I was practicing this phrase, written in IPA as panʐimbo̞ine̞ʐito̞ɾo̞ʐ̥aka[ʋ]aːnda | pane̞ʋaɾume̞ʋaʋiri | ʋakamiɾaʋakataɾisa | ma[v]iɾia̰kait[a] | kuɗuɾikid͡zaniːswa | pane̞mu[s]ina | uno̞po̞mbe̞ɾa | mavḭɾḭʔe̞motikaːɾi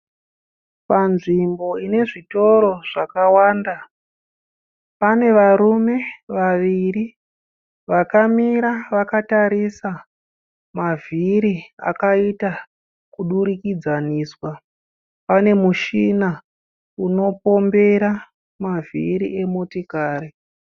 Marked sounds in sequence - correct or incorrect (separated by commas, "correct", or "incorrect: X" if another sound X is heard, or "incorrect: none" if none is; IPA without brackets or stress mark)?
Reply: incorrect: w, correct, correct, incorrect: ʃ